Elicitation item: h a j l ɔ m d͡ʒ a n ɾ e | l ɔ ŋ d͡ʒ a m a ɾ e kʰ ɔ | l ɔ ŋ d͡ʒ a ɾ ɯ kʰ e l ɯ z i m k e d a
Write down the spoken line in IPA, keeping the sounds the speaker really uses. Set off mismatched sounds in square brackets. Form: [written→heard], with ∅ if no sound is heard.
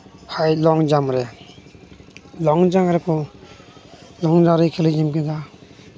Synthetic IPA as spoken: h a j l ɔ [m→ŋ] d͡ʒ a [n→m] ɾ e | l ɔ ŋ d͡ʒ a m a ɾ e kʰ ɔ | l ɔ ŋ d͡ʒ a ɾ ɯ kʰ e l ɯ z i m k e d a